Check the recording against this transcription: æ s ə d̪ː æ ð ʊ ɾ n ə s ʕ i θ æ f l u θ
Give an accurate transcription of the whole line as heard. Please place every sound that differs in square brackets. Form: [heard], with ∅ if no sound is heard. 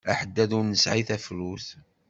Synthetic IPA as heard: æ [ħ] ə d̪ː æ ð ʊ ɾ n ə s ʕ i θ æ f l u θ

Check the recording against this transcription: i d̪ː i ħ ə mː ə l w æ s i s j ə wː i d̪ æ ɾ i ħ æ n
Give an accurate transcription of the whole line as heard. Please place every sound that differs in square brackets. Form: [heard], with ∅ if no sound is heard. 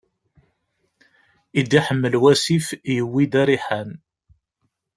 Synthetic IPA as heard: i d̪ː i ħ ə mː ə l w æ s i [f] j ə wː i d̪ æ ɾ i ħ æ n

